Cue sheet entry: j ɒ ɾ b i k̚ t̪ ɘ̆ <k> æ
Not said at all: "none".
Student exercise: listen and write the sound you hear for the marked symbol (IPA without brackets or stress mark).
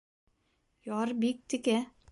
k